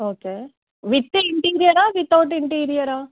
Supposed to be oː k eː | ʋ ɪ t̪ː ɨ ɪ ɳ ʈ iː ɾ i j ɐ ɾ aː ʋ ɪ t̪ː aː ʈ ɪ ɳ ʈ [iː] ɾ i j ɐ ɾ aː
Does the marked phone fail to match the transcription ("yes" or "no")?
no